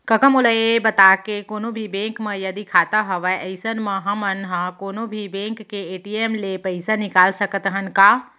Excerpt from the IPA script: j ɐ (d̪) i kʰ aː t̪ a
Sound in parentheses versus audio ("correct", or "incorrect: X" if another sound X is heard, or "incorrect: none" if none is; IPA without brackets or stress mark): correct